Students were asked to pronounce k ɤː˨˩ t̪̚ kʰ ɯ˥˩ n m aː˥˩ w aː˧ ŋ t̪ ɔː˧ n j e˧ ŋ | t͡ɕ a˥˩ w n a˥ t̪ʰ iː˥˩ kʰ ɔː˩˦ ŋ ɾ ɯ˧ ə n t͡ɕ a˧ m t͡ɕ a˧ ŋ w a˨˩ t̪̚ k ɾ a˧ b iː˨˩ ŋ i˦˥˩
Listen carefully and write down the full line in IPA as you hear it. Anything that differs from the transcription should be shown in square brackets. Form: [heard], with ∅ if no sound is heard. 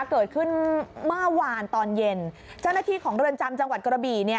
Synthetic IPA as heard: k ɤː˨˩ t̪̚ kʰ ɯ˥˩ n m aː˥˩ w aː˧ [n] t̪ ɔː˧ n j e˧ [n] | t͡ɕ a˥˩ w n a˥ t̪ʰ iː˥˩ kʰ ɔː˩˦ ŋ ɾ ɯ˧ ə n t͡ɕ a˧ m t͡ɕ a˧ ŋ w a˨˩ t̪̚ k ɾ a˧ b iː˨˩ [n] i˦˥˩